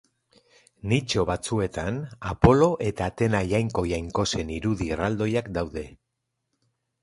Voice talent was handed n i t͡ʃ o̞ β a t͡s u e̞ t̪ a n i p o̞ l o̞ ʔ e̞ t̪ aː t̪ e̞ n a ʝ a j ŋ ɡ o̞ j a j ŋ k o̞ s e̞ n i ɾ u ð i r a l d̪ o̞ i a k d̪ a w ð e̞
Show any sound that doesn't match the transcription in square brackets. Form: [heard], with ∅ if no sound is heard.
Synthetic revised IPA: n i t͡ʃ o̞ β a t͡s u e̞ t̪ a n [a] p o̞ l o̞ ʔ e̞ t̪ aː t̪ e̞ n a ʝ a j ŋ [k] o̞ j a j ŋ k o̞ s e̞ n i ɾ u ð i r a l d̪ o̞ [j] a k d̪ a w ð e̞